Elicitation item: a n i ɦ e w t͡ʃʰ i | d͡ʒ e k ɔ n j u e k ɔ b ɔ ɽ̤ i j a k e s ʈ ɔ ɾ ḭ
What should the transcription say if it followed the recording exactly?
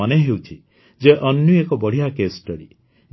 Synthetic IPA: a n e ɦ e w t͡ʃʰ i | d͡ʒ e ʔ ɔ n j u e k ɔ b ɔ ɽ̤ i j a k e s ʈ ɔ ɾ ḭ